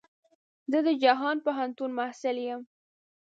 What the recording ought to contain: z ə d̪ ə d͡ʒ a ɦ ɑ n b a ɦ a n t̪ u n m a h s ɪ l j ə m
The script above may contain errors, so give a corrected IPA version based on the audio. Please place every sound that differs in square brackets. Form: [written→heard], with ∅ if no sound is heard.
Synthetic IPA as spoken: z ə d̪ ə d͡ʒ a ɦ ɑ n [b→p] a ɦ a n t̪ u n m a h s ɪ l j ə m